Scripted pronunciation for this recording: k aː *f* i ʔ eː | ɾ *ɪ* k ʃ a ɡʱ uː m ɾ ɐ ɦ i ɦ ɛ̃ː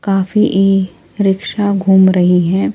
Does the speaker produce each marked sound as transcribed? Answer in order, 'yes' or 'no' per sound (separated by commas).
yes, yes